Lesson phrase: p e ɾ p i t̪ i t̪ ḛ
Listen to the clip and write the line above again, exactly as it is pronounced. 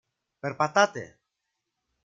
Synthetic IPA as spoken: p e ɾ p a t̪ a t̪ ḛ